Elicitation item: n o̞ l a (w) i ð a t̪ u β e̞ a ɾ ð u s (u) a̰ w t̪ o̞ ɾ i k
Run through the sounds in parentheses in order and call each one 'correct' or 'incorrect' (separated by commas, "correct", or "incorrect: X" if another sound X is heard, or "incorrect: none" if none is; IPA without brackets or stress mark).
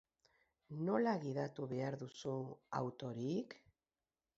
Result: incorrect: ɣ, correct